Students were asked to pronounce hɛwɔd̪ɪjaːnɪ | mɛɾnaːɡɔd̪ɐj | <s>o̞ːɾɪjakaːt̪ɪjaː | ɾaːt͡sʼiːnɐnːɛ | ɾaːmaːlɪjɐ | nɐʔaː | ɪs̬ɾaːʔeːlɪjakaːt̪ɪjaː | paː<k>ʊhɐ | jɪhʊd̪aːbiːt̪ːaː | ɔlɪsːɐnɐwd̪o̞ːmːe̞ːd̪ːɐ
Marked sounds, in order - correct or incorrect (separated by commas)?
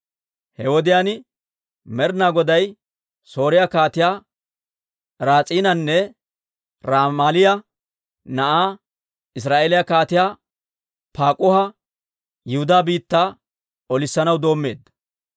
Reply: correct, incorrect